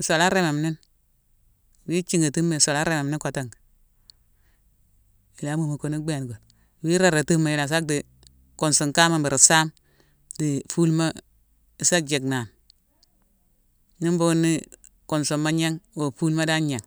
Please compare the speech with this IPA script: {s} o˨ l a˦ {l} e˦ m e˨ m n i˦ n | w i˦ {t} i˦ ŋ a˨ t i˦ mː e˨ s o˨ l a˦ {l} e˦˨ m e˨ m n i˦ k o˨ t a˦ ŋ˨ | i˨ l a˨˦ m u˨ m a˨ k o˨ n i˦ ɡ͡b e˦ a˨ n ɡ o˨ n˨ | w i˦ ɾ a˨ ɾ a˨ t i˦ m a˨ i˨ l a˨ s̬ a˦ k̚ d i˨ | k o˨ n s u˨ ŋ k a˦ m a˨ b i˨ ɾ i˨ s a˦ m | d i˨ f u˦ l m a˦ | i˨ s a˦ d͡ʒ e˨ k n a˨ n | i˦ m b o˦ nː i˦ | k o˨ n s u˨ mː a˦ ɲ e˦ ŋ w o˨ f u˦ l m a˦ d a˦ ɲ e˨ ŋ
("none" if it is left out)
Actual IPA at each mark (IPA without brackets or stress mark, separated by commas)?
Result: s, ɾ, t͡ʃ, ɾ